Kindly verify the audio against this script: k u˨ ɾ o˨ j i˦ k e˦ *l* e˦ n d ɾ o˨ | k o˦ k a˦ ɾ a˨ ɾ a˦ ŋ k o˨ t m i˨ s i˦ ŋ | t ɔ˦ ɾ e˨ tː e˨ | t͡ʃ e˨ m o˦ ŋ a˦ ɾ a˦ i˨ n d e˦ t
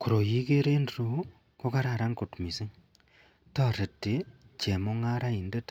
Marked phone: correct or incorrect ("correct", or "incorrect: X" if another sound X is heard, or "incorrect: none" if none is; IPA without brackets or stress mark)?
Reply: incorrect: ɾ